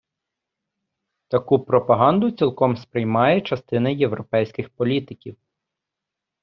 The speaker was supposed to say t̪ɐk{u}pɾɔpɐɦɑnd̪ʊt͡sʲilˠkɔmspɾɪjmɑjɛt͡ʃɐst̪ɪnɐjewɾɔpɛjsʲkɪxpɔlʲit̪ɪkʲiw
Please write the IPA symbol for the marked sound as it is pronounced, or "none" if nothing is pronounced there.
u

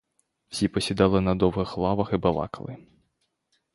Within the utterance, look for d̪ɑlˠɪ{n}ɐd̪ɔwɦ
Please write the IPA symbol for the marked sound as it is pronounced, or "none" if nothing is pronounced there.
n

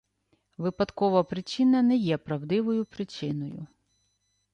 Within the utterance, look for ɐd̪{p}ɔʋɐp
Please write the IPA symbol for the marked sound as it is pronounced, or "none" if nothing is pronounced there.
k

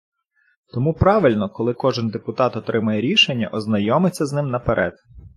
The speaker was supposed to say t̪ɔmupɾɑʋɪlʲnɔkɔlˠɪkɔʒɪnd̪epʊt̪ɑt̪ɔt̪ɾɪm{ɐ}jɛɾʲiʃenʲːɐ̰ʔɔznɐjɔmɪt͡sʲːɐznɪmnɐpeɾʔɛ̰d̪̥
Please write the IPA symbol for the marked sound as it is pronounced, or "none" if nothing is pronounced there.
ɐ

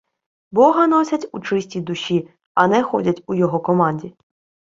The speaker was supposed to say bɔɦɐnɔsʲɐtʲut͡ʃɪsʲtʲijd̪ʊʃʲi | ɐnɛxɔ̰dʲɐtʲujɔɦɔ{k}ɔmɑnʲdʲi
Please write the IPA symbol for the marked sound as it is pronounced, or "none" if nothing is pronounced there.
k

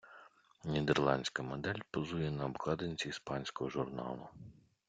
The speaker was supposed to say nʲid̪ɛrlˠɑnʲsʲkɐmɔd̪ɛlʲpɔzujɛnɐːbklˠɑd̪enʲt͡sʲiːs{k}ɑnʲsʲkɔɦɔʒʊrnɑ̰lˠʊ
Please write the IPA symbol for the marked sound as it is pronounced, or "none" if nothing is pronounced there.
p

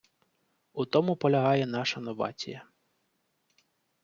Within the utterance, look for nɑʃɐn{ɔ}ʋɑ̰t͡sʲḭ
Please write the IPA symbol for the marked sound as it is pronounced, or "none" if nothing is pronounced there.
ɔ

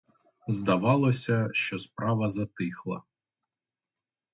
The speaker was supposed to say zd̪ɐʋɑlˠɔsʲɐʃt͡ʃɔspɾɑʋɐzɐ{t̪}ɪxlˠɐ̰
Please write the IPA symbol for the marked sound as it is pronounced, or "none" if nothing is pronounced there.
t̪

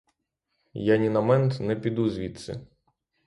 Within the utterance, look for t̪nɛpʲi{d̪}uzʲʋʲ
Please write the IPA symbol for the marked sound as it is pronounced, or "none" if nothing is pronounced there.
d̪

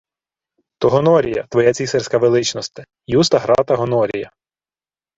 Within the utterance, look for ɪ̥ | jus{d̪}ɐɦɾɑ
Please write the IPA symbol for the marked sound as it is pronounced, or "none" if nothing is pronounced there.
t̪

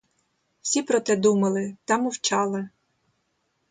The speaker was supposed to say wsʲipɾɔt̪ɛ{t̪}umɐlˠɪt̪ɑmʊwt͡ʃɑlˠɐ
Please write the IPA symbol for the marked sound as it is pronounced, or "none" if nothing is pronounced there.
d̪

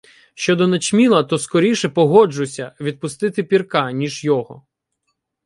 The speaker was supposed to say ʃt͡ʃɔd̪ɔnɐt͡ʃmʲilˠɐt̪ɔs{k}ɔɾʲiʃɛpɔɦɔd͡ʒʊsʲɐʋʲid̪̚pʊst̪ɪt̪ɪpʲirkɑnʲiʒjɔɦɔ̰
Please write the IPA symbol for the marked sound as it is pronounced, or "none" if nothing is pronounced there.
k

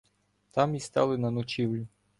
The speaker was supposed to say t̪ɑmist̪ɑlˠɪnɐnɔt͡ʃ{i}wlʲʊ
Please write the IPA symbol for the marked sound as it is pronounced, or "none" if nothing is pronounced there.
i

